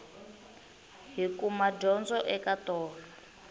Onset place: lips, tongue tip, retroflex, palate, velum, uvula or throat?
throat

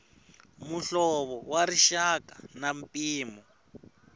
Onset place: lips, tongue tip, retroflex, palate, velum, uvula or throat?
lips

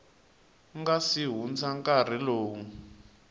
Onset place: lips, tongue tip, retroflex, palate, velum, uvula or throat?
velum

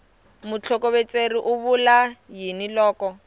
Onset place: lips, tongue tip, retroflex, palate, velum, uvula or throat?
lips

